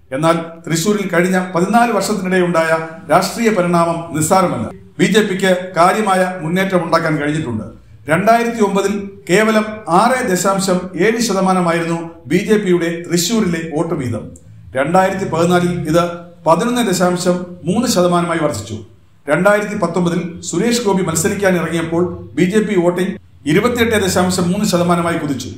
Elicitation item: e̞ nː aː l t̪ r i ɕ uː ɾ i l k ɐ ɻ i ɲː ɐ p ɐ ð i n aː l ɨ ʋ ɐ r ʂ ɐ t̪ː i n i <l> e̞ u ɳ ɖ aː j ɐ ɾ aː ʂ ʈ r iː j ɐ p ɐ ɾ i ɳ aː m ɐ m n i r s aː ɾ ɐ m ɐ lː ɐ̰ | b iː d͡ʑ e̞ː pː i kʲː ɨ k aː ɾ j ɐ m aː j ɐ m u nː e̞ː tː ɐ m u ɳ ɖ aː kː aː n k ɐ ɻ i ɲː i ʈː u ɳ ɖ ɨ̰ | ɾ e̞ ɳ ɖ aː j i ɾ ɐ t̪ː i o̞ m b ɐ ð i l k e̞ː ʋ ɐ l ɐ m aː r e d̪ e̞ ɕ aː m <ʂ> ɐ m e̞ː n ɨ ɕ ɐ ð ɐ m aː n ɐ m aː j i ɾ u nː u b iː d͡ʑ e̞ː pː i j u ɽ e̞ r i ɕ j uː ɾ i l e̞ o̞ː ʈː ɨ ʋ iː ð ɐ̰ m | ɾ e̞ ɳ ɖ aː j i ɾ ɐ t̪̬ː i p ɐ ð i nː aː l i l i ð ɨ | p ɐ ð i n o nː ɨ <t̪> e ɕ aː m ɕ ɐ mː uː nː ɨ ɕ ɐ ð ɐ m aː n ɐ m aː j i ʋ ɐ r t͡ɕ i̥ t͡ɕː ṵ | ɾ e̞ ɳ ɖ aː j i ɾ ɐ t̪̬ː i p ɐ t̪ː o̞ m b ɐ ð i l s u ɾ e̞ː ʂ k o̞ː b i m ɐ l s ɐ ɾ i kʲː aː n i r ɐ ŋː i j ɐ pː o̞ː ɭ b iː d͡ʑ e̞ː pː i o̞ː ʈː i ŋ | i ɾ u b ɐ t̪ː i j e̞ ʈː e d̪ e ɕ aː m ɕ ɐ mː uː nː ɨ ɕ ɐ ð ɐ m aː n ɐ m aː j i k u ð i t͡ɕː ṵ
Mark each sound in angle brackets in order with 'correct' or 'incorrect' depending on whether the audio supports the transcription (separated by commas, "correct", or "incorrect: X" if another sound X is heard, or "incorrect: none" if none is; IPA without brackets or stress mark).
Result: incorrect: ɽ, incorrect: ɕ, incorrect: d̪